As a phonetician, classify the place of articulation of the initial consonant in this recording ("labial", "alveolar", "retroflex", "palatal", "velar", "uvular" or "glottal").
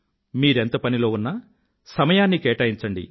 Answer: labial